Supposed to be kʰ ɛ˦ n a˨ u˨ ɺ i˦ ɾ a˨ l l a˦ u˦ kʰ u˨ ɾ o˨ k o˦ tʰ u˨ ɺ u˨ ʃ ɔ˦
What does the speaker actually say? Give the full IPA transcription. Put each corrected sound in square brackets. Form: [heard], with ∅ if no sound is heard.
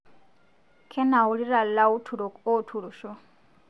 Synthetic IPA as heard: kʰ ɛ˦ n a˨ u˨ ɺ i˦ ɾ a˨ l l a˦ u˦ [tʰ] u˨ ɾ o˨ k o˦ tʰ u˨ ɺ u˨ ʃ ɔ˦